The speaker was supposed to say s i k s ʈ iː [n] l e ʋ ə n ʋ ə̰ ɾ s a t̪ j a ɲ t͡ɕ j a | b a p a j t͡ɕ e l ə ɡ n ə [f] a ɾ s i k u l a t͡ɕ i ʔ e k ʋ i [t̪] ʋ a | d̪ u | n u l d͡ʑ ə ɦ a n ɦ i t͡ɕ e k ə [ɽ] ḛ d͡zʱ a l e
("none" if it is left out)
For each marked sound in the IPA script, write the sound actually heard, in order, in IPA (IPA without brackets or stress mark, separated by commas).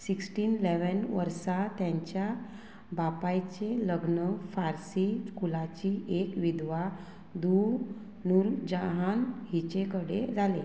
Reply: n, f, d̪, ɽ